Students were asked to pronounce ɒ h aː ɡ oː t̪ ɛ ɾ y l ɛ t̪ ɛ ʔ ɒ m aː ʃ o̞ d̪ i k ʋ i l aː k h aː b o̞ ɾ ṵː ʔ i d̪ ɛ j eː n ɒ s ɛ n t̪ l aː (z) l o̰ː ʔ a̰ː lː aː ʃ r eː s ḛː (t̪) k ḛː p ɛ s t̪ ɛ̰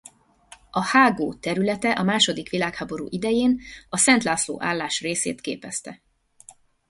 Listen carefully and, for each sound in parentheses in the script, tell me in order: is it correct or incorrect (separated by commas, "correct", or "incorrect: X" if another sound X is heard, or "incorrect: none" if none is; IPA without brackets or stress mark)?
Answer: incorrect: s, correct